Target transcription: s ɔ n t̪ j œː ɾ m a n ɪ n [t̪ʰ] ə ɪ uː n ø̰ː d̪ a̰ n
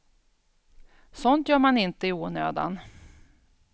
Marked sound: incorrect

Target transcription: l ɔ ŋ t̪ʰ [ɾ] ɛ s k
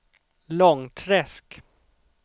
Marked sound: correct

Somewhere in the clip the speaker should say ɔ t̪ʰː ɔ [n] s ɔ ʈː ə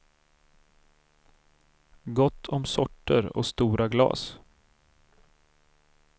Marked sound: incorrect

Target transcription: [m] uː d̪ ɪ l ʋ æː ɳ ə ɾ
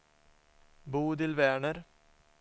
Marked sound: incorrect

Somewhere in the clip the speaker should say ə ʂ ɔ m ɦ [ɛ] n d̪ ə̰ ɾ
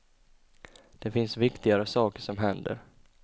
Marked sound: correct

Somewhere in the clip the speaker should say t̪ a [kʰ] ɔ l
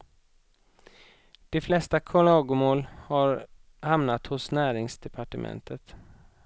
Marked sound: correct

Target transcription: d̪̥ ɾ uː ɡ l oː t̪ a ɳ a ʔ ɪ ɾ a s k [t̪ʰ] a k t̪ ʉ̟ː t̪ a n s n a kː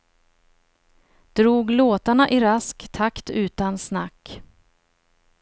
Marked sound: correct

